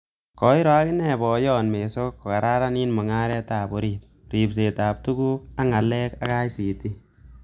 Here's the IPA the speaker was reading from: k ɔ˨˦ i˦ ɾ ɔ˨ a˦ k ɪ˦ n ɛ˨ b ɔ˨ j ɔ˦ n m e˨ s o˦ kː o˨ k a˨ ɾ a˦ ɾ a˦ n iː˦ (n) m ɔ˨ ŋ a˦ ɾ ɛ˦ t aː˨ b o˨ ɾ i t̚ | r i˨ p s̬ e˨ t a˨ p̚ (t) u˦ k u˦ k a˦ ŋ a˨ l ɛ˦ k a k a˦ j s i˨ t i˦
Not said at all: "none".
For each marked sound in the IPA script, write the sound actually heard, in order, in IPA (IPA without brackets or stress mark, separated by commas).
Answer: n, t